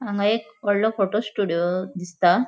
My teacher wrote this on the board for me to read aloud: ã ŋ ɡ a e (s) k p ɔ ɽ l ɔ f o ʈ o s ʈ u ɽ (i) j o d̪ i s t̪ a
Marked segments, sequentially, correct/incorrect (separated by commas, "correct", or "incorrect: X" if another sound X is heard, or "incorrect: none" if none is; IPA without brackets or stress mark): incorrect: none, correct